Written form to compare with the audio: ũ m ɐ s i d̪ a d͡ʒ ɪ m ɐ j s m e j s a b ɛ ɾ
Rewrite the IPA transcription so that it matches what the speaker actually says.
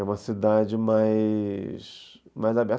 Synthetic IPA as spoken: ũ m ɐ s i d̪ a d͡ʒ ɪ m a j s m a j z a b ɛ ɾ